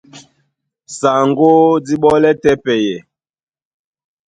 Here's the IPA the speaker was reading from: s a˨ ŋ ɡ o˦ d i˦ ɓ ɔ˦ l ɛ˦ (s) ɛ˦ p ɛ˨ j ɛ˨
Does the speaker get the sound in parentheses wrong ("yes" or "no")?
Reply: yes